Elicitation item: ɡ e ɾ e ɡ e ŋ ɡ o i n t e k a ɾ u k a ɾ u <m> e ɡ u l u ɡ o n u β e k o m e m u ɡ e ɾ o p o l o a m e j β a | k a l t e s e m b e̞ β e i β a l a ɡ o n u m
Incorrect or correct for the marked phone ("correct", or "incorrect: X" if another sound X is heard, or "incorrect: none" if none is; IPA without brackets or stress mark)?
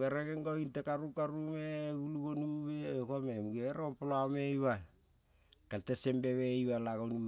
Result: correct